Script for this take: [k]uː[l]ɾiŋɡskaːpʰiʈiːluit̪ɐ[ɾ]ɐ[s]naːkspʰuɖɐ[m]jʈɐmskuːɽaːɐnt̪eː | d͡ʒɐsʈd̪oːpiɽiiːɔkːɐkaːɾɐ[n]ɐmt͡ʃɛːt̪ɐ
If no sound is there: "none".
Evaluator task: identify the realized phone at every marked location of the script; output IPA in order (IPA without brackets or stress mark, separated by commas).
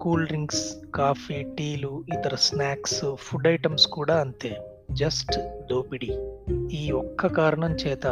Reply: k, l, ɾ, s, none, ɳ